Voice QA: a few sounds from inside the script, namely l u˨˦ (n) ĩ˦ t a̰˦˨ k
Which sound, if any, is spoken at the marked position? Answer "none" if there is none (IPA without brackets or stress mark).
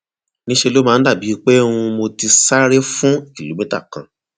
m